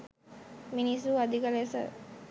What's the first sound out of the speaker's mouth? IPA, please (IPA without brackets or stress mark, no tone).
m